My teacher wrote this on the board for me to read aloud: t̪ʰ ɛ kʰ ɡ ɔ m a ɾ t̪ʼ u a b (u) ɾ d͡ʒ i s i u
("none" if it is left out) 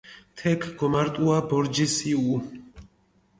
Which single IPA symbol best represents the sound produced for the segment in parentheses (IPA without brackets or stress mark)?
ɔ